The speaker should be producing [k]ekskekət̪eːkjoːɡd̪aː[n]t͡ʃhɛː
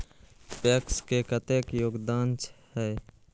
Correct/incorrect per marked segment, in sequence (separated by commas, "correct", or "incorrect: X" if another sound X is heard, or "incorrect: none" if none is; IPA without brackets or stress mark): incorrect: p, correct